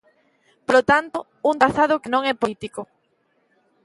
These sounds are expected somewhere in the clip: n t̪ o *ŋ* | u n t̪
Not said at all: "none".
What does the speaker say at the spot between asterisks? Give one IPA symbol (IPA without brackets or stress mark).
none